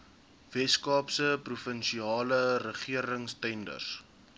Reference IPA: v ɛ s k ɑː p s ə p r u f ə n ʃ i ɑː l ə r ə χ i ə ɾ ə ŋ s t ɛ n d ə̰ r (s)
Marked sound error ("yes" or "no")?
no